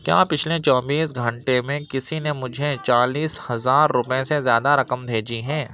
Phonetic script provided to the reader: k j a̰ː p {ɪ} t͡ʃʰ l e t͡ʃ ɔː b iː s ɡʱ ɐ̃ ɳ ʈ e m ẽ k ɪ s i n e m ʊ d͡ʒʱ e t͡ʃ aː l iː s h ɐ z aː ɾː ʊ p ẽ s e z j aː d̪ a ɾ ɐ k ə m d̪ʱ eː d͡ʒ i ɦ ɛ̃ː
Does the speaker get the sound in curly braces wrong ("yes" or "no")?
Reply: no